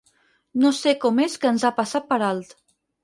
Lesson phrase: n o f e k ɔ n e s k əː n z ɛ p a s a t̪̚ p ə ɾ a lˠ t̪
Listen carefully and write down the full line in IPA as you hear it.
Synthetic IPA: n o s e k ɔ m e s k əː n z a p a s a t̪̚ p ə ɾ a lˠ t̪